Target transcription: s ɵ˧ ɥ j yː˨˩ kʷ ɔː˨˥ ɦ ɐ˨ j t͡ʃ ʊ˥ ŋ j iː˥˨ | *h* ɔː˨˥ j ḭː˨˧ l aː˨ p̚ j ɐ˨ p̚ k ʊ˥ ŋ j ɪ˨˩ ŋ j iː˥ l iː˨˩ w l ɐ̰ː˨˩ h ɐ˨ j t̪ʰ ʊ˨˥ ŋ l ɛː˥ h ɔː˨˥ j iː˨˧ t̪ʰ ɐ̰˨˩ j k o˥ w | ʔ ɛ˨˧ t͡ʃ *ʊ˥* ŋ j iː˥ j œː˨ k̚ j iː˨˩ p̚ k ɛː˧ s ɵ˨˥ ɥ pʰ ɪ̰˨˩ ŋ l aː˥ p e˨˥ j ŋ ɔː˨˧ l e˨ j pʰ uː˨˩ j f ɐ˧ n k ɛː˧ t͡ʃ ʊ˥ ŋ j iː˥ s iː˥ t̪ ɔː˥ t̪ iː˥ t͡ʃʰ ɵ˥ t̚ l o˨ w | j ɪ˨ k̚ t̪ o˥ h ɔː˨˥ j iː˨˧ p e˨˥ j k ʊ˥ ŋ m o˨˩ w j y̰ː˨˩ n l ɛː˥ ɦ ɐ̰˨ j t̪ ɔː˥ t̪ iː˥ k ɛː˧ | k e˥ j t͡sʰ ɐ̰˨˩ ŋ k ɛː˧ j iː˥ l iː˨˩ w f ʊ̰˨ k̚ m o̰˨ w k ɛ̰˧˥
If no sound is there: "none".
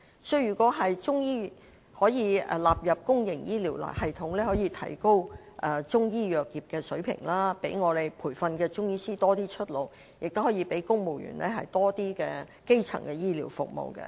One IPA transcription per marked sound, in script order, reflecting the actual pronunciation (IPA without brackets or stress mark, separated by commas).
h, ʊ˥